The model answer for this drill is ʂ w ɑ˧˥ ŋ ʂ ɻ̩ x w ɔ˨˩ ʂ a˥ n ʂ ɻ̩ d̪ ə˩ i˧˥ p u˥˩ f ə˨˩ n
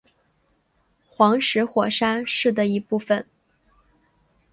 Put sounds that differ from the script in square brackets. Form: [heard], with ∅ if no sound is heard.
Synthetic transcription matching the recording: [x] w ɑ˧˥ ŋ ʂ ɻ̩ x w ɔ˨˩ ʂ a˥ n ʂ ɻ̩ d̪ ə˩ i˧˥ p u˥˩ f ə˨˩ n